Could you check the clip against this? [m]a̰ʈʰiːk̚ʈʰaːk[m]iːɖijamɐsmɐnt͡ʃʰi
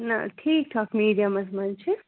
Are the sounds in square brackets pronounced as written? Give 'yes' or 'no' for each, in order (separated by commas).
no, yes